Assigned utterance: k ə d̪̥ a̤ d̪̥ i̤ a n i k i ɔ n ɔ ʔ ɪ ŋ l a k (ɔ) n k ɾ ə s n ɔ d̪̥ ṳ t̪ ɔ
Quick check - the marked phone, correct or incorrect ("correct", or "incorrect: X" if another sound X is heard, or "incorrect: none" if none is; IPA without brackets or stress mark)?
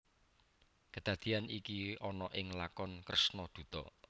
correct